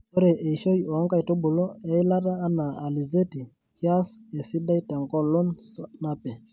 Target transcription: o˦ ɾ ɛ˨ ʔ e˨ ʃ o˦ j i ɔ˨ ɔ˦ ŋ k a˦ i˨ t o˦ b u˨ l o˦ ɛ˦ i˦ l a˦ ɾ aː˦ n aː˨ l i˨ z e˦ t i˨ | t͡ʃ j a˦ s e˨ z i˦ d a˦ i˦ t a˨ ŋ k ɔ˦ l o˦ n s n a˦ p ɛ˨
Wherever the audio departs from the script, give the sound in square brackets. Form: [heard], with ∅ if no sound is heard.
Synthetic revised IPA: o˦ ɾ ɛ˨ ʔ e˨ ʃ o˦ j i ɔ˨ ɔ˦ ŋ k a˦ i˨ t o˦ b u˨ l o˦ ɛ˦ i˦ l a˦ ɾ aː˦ n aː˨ l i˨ z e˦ t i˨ | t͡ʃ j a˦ s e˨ [s] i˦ d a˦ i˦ t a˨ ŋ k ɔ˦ l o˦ n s n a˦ p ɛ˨